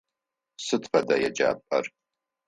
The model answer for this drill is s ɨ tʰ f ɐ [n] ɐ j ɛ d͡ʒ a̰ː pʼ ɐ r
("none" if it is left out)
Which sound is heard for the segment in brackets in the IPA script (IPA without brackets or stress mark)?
d